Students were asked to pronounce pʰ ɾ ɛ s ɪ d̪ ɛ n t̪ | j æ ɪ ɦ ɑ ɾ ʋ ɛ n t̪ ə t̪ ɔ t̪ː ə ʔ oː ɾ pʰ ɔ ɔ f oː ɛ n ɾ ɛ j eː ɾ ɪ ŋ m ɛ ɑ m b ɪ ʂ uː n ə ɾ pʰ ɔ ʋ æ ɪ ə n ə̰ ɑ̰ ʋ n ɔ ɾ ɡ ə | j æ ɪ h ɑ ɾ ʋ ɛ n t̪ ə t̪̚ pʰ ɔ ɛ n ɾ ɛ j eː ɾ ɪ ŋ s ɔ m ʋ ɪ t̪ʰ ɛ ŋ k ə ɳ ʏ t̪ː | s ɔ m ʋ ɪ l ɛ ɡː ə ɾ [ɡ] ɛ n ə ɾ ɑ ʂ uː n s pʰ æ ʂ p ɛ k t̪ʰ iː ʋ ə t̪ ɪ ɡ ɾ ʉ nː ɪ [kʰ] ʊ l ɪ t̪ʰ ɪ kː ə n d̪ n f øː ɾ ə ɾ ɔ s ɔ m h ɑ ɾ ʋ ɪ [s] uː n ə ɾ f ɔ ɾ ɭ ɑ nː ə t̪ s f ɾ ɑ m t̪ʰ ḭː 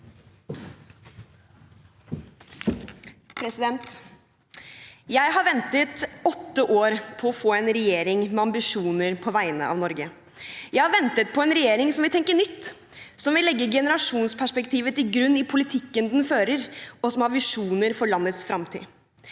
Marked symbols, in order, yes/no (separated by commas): yes, no, no